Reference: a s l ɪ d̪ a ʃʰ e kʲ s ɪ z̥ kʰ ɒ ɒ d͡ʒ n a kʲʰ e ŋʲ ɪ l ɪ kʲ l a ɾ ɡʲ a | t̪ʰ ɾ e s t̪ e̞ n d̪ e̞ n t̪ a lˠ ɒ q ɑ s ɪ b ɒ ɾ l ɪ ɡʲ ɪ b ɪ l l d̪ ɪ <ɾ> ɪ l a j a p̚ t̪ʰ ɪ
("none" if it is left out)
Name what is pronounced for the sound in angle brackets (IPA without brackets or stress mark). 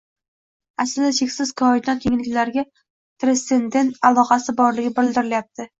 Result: ɾ